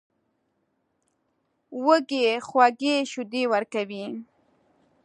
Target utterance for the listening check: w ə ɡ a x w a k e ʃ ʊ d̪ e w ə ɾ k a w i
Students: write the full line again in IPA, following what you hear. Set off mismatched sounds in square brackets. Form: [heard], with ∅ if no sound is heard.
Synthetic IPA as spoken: w ə ɡ [e] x w a [ɡ] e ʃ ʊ d̪ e w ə ɾ k a w i